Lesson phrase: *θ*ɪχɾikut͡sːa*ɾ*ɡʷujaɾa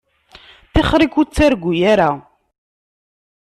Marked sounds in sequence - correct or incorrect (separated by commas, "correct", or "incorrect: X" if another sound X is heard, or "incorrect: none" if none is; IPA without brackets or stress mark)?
correct, correct